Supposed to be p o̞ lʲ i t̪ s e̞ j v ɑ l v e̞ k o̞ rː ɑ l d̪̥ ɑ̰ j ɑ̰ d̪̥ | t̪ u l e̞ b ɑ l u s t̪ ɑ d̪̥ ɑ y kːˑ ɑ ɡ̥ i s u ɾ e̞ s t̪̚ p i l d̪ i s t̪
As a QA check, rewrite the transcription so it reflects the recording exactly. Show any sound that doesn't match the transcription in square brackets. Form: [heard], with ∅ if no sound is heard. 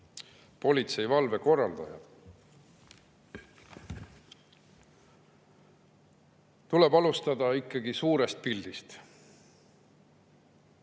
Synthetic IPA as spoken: p o̞ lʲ i t̪ s e̞ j v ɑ l v e̞ k o̞ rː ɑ l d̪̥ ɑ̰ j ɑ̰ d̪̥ | t̪ u l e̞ b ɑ l u s t̪ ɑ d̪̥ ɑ [i] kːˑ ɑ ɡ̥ i s [uː] ɾ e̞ s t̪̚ p i l d̪ i s t̪